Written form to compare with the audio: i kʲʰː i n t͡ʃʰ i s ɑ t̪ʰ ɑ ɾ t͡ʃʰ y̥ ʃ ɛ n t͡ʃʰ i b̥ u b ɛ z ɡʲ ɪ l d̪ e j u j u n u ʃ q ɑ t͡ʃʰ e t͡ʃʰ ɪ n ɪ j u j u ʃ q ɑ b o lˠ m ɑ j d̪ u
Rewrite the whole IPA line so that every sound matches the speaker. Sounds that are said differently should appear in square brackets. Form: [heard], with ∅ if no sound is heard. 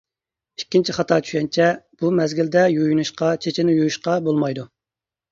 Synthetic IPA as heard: i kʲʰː i n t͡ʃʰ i [χ] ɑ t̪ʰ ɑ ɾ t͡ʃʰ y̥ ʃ ɛ n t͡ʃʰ [ɛ] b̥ u [m] ɛ z ɡʲ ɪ l d̪ [ɛ] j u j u n u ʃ q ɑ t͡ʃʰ e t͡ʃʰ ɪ n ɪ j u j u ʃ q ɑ b o lˠ m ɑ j d̪ u